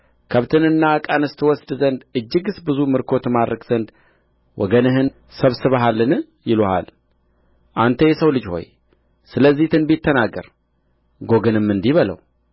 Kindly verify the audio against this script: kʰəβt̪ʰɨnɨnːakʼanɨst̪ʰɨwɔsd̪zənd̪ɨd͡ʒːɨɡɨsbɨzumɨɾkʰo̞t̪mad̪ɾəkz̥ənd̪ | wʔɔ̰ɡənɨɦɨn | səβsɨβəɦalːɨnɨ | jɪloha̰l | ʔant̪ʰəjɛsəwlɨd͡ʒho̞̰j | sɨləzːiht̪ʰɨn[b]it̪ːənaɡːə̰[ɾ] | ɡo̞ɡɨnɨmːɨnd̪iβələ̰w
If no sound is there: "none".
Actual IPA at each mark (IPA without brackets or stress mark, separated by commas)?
b, ɾ